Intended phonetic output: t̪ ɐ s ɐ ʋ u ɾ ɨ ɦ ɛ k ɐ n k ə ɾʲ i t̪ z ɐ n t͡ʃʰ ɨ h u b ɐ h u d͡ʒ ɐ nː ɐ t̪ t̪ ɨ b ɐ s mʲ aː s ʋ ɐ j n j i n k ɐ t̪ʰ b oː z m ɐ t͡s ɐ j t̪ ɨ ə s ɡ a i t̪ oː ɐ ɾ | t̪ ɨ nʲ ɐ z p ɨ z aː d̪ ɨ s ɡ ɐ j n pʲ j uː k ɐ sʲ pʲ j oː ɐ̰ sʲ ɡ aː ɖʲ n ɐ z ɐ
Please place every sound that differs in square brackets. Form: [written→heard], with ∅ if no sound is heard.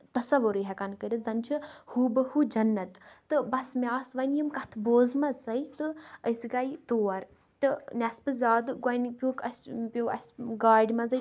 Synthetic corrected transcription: t̪ ɐ s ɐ ʋ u ɾ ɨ ɦ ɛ k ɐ n k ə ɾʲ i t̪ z ɐ n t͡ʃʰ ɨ h u b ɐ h u d͡ʒ ɐ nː ɐ t̪ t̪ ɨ b ɐ s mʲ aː s ʋ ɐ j n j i [n→m] k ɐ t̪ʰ b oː z m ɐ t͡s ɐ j t̪ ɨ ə s ɡ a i t̪ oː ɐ ɾ | t̪ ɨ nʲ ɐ [z→s] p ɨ z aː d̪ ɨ [s→∅] ɡ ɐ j n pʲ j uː k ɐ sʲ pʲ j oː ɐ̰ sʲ ɡ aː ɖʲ [n→m] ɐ z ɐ